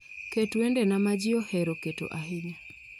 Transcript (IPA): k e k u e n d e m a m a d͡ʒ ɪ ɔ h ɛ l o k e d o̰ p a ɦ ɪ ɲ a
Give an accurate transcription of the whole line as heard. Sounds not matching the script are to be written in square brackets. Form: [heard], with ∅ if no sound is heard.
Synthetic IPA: k e [t] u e n d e [n] a m a d͡ʒ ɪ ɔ h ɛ [ɾ] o k e [t] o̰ [ʔ] a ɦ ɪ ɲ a